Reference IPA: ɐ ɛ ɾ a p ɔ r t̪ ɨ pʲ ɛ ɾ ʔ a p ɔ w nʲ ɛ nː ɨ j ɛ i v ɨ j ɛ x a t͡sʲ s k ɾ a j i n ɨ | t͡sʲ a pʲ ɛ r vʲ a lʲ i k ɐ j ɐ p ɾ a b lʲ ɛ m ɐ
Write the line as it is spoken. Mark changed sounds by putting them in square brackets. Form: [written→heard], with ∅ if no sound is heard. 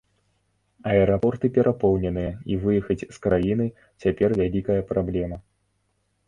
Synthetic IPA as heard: ɐ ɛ ɾ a p ɔ r t̪ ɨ pʲ ɛ ɾ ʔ a p ɔ w nʲ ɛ [nː→n] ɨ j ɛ i v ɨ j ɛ x [a→ɐ] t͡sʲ s k ɾ a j i n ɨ | t͡sʲ a pʲ ɛ r vʲ a lʲ i k ɐ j ɐ p ɾ a b lʲ ɛ m ɐ